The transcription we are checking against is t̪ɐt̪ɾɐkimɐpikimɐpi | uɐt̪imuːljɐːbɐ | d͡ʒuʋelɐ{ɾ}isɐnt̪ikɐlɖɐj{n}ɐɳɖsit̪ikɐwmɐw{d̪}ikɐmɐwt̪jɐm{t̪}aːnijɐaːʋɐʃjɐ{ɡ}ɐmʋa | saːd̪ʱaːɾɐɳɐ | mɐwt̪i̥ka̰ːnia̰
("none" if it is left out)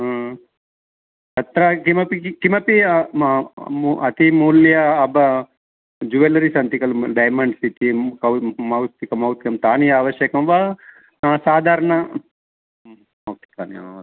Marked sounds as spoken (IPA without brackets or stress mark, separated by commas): ɾ, m, t̪, t̪, k